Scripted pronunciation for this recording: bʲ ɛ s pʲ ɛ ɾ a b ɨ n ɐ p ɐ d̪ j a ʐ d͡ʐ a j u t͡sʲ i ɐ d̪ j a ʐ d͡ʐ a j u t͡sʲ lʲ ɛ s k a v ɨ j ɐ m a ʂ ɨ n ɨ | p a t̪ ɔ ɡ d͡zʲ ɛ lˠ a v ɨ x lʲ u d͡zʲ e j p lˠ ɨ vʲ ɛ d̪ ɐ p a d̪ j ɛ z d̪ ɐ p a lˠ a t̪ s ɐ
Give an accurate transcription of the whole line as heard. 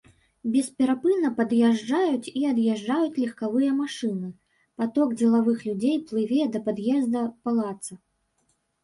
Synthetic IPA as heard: bʲ ɛ s pʲ ɛ ɾ a p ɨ n ɐ p ɐ d̪ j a ʐ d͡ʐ a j u t͡sʲ i ɐ d̪ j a ʐ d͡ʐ a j u t͡sʲ lʲ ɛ x k a v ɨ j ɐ m a ʂ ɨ n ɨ | p a t̪ ɔ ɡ d͡zʲ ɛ lˠ a v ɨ x lʲ u d͡zʲ e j p lˠ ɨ vʲ ɛ d̪ ɐ p a d̪ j ɛ z d̪ ɐ p a lˠ a t̪ s ɐ